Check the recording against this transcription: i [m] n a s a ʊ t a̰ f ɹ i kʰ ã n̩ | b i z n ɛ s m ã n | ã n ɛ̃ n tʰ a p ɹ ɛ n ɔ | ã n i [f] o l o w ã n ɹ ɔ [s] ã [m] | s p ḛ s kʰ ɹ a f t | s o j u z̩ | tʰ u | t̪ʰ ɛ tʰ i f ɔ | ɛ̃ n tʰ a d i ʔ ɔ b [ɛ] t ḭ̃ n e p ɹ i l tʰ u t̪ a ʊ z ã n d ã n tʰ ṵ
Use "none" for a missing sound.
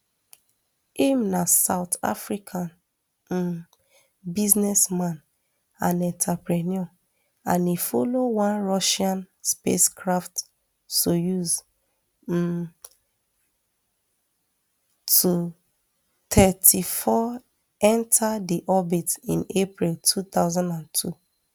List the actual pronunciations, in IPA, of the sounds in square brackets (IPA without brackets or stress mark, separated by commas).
m, f, ʃ, n, i